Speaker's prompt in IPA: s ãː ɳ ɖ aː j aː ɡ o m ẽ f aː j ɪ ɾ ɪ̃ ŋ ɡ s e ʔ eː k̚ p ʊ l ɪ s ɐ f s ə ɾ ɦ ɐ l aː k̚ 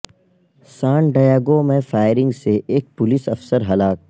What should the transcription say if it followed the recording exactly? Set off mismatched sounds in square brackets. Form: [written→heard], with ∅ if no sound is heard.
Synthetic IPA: s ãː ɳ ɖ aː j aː ɡ o m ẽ f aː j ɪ ɾ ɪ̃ ŋ ɡ s e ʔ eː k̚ p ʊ l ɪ s ɐ f s ə ɾ ɦ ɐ l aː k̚